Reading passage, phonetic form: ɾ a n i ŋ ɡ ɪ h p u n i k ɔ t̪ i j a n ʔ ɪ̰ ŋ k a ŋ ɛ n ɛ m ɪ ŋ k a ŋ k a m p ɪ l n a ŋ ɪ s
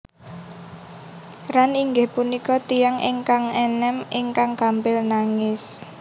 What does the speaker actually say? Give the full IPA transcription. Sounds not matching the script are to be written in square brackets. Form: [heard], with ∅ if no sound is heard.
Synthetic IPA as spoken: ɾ a n i ŋ ɡ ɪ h p u n i k ɔ t̪ i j a [ŋ] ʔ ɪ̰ ŋ k a ŋ ɛ n ɛ m ɪ ŋ k a ŋ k a m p ɪ l n a ŋ ɪ s

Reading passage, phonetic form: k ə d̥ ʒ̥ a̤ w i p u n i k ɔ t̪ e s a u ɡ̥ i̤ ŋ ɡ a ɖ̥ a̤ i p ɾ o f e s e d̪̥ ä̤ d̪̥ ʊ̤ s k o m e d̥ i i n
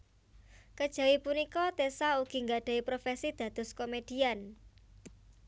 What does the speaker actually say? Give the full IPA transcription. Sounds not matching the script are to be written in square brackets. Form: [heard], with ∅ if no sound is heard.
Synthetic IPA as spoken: k ə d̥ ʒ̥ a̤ w i p u n i k ɔ t̪ e s a u ɡ̥ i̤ ŋ ɡ a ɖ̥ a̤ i p ɾ o f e s [i] d̪̥ ä̤ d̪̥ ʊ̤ s k o m e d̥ i [a] n

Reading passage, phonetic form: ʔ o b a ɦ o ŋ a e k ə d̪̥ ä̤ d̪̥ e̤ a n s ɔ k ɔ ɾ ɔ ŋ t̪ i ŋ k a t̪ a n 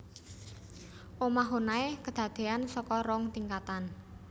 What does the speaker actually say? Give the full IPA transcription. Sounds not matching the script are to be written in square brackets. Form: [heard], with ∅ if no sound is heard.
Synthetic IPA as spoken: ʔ o [m] a ɦ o [n] a e k ə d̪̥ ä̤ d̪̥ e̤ a n s ɔ k ɔ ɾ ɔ ŋ t̪ i ŋ k a t̪ a n

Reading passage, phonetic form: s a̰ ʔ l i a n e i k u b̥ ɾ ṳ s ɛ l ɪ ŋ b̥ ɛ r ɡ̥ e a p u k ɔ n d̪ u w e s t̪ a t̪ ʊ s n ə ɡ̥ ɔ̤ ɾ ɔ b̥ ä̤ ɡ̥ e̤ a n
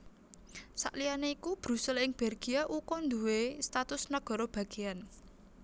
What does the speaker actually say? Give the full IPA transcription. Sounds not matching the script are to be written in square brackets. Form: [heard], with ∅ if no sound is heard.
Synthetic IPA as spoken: s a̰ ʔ l i a n e i k u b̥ ɾ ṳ s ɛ l ɪ ŋ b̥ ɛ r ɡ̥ [i] a [ʔ] u k ɔ n d̪ u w e s t̪ a t̪ ʊ s n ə ɡ̥ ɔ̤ ɾ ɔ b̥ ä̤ ɡ̥ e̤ a n

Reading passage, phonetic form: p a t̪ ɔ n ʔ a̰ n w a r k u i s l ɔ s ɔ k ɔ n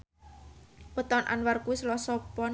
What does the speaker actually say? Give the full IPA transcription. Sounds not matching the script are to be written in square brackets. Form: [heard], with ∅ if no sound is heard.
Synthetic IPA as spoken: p [ə] t̪ ɔ n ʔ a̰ n w a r k u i s l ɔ s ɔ [p] ɔ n

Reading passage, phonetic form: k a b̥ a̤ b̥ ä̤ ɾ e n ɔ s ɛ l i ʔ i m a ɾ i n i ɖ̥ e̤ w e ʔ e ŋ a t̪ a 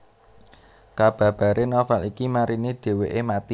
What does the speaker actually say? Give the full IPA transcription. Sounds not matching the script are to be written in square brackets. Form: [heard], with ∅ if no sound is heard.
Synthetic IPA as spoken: k a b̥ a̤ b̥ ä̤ ɾ e n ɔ [f] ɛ l i [k] i m a ɾ i n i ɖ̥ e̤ w e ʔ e [m] a t̪ [i]

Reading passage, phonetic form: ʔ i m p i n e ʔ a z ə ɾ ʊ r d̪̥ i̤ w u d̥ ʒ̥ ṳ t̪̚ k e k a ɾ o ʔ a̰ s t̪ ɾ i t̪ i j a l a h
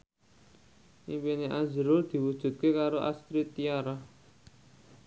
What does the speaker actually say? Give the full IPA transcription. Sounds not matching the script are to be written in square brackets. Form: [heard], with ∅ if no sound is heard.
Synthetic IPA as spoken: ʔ i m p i n e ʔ a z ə ɾ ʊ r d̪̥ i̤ w u d̥ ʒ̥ ṳ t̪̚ k e k a ɾ o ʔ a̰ s t̪ ɾ i t̪ i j a [ɾ] a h

